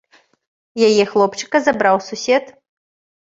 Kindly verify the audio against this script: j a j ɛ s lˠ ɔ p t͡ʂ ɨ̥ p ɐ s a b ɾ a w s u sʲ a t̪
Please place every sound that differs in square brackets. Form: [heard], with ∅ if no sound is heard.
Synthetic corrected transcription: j a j ɛ [x] lˠ ɔ p t͡ʂ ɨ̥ [k] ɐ [z] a b ɾ a w s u sʲ [ɛ] t̪